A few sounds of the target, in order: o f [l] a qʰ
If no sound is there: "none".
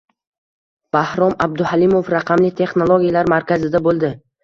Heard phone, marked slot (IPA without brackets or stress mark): ɾ